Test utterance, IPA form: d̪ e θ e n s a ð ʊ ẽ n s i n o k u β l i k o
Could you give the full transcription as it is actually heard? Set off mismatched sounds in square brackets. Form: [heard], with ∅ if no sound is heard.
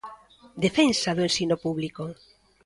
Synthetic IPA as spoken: d̪ e [f] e n s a ð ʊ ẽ n s i n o [p] u β l i k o